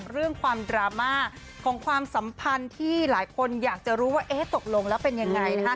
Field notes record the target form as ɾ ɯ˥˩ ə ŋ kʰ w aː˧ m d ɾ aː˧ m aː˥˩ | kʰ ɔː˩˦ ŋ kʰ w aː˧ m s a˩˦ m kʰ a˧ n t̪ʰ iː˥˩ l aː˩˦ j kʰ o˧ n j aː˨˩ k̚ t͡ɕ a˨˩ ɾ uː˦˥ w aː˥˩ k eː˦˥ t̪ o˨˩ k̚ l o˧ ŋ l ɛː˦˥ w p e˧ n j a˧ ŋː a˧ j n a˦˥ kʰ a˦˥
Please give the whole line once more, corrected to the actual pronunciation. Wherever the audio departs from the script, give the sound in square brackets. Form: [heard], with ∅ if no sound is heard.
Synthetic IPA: ɾ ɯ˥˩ ə ŋ kʰ w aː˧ m d ɾ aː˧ m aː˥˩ | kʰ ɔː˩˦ ŋ kʰ w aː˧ m s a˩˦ m [pʰ] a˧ n t̪ʰ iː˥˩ l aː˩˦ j kʰ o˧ n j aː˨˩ k̚ t͡ɕ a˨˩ ɾ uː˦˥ w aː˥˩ [ʔ] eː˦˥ t̪ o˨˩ k̚ l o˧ ŋ l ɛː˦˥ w p e˧ n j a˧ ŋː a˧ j n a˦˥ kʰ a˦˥